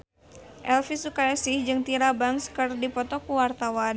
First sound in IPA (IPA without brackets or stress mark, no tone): ʔ